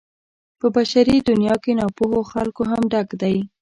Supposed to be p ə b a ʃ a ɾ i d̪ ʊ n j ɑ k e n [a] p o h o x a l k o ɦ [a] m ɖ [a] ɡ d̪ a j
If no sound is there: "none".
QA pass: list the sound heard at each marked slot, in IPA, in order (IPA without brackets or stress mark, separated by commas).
ɑ, a, a